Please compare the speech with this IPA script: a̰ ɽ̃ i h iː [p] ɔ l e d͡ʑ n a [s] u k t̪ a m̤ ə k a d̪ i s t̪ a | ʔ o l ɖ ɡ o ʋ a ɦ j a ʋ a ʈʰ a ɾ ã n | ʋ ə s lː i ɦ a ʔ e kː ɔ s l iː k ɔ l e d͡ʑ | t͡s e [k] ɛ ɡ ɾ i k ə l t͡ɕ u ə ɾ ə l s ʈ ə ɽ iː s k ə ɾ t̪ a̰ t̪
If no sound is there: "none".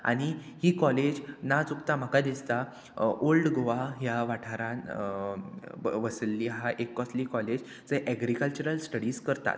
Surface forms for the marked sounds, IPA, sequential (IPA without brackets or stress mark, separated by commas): k, t͡s, ʔ